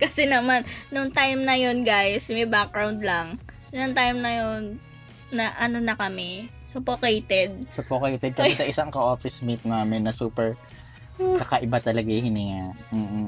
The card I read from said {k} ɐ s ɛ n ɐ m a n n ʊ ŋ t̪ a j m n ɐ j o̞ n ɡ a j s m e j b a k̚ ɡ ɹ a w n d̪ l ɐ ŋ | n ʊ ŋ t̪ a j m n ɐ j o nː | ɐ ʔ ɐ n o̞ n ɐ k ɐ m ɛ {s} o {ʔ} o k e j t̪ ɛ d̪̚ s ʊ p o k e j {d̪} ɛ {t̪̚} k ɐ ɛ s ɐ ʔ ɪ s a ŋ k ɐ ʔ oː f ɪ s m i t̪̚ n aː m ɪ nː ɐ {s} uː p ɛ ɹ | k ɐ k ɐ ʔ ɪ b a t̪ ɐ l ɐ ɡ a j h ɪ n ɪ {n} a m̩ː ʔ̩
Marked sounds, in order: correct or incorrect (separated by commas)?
correct, correct, incorrect, incorrect, incorrect, correct, incorrect